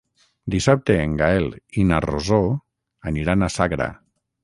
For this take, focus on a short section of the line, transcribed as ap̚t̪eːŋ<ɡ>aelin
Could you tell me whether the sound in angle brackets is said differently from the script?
no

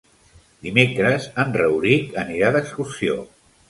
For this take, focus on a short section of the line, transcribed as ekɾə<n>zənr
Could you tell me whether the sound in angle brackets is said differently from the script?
yes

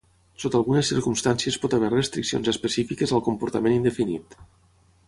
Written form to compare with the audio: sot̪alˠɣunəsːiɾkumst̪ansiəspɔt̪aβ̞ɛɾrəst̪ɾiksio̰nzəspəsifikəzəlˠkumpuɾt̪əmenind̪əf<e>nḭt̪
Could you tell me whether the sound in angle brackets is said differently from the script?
yes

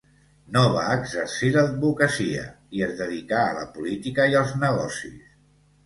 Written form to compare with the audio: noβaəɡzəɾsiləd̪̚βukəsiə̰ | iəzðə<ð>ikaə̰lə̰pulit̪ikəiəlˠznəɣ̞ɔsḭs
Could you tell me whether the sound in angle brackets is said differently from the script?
no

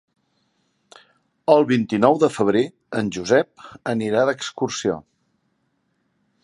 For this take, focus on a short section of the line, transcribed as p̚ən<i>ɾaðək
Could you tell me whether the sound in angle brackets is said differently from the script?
no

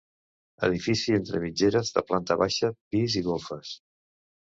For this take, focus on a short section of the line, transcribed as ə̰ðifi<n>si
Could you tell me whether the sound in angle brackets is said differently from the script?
yes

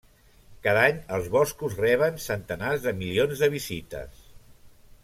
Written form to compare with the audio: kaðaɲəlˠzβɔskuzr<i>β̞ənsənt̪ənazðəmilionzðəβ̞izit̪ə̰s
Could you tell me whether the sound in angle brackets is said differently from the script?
yes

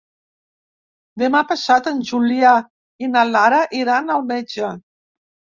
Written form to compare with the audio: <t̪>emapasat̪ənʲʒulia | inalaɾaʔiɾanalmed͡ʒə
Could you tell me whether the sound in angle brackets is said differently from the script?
yes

